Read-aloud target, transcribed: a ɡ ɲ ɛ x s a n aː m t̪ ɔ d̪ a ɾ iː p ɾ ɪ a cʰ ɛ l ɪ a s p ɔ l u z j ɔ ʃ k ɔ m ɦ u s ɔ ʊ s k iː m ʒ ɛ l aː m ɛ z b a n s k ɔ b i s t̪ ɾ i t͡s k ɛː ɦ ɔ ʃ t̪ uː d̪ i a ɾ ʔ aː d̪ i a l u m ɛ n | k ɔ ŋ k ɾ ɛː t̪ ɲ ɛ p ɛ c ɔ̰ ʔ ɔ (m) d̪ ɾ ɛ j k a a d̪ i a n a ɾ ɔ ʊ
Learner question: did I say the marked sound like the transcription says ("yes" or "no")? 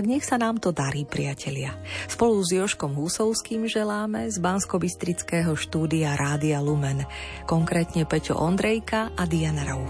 no